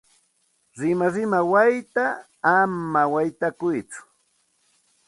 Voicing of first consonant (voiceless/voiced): voiced